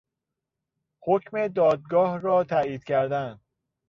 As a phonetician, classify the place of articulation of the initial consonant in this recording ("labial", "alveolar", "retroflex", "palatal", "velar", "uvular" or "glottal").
glottal